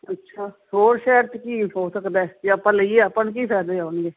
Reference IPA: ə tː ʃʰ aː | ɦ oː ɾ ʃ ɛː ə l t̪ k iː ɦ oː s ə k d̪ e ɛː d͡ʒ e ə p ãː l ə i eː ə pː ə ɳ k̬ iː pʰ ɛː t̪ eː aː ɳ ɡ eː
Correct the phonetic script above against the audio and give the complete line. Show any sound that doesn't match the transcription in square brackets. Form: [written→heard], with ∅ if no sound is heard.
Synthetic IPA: ə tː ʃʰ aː | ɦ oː ɾ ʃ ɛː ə [l→ɾ] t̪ k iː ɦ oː s ə k d̪ [e→a] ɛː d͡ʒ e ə p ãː l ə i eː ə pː ə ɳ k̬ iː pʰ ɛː [t̪→d̪] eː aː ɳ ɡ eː